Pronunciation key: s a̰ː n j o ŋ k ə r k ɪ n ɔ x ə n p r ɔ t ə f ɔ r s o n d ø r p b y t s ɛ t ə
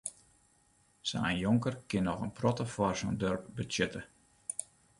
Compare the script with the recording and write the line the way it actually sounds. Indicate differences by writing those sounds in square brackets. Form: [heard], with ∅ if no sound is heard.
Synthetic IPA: s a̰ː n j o ŋ k ə r k ɪ n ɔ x ə n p r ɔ t ə f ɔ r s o n d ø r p b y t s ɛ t ə